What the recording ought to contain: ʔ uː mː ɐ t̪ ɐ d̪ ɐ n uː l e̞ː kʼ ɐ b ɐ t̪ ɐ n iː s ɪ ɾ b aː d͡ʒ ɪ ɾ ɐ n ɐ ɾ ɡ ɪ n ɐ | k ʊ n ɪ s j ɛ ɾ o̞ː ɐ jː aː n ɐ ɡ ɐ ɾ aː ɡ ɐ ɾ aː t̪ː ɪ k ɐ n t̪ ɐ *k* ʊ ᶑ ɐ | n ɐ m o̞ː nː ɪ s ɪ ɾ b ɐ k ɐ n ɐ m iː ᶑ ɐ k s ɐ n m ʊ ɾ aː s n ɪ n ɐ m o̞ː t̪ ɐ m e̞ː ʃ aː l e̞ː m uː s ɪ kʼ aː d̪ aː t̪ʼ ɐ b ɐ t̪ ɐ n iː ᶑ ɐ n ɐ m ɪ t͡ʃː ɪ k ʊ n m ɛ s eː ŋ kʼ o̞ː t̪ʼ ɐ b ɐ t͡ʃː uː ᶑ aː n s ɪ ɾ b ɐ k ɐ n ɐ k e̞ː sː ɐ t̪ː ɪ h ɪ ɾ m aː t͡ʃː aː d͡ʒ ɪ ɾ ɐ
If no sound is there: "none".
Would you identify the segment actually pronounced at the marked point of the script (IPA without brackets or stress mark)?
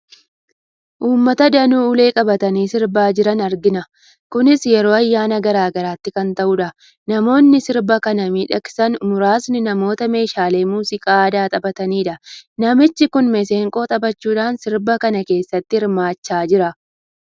ʔ